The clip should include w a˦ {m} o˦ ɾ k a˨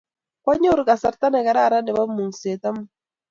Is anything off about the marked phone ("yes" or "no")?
yes